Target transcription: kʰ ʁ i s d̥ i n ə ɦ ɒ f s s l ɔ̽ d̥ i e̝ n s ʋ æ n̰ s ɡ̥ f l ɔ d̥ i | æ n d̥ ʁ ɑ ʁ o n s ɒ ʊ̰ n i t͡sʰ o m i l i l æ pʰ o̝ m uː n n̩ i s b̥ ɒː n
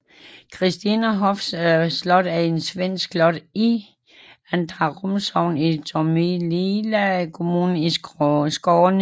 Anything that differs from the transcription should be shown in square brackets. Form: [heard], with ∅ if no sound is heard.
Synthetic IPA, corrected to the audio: kʰ ʁ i s d̥ i n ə ɦ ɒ f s s l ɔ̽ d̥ [æ] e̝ n s ʋ [e] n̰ s ɡ̥ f l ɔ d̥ i | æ n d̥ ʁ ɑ ʁ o [m] s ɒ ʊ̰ n i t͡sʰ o m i l i l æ [kʰ] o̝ m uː n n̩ i s [ɡ̥] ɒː n